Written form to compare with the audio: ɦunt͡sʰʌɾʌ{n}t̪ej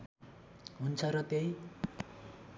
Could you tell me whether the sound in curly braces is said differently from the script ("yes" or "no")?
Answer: yes